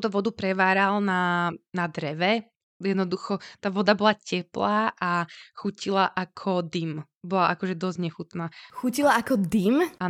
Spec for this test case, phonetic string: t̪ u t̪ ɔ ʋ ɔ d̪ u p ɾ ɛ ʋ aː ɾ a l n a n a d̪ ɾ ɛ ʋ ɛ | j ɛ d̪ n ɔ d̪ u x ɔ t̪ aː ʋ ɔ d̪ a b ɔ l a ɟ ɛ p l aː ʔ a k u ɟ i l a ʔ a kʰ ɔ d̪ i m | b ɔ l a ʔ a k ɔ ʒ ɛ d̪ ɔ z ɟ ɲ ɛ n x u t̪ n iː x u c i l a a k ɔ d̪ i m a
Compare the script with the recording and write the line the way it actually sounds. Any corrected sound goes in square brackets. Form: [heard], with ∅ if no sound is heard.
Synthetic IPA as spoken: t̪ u t̪ ɔ ʋ ɔ d̪ u p ɾ ɛ ʋ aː ɾ a l n a n a d̪ ɾ ɛ ʋ ɛ | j ɛ d̪ n ɔ d̪ u x ɔ t̪ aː ʋ ɔ d̪ a b ɔ l a [c] ɛ p l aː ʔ a [x] u [c] i l a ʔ a kʰ ɔ d̪ i m | b ɔ l a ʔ a k ɔ ʒ ɛ d̪ ɔ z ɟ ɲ ɛ [∅] x u t̪ n [aː] x u c i l a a k ɔ d̪ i m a